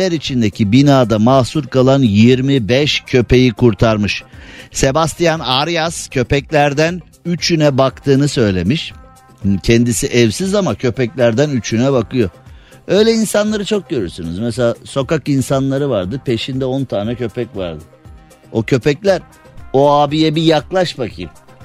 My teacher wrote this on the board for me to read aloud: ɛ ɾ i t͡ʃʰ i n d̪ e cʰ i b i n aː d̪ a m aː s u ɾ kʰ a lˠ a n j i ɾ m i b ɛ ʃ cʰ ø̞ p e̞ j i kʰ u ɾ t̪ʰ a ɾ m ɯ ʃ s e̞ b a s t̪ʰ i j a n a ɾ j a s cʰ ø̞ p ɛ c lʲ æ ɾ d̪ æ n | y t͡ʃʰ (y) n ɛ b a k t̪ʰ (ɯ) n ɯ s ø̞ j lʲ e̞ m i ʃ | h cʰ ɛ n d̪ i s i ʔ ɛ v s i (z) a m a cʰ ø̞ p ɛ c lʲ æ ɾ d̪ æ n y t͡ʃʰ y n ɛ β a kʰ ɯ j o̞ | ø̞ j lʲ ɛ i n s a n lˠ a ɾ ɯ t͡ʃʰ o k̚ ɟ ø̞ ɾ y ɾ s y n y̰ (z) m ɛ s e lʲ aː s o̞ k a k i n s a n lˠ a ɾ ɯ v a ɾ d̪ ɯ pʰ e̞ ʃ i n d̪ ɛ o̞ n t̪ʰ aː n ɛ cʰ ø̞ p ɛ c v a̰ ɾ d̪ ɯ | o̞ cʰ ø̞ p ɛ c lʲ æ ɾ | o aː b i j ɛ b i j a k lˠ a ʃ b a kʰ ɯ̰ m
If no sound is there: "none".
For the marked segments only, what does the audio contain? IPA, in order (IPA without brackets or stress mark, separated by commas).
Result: y, ɯː, z, z